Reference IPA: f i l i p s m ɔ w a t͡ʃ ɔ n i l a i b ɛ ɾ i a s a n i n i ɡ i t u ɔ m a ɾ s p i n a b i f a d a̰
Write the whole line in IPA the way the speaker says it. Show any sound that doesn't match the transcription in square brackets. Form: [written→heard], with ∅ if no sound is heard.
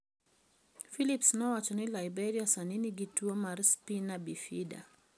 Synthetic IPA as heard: f i l i p s [m→n] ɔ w a t͡ʃ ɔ n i l a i b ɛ ɾ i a s a n i n i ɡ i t u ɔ m a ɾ s p i n a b i f [a→i] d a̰